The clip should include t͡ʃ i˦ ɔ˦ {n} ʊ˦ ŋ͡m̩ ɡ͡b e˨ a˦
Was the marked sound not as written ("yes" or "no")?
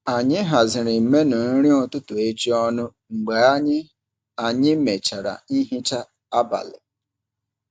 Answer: no